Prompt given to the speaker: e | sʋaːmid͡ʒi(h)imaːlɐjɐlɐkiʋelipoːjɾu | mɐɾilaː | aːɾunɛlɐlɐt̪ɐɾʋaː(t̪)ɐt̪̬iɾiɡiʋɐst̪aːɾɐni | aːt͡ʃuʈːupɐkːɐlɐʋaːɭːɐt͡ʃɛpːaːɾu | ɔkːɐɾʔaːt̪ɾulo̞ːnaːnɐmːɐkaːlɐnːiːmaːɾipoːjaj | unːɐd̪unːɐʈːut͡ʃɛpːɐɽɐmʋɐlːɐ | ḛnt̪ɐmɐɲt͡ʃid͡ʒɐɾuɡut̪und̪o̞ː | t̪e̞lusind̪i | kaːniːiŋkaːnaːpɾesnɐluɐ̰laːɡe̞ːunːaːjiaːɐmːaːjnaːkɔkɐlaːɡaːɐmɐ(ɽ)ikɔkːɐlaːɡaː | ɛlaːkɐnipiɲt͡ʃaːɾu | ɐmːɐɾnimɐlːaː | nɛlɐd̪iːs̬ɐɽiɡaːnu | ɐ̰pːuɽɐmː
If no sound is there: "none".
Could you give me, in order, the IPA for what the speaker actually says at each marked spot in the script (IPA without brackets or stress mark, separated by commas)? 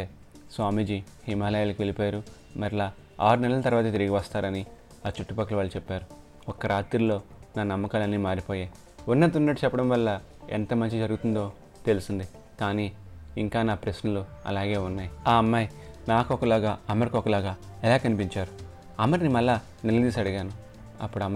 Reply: h, t̪, ɾ